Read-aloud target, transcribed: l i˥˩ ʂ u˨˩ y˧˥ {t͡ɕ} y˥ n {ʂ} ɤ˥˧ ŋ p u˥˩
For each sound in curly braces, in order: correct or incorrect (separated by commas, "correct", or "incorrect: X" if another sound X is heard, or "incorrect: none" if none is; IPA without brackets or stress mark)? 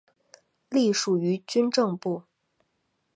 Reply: correct, incorrect: ʈ͡ʂ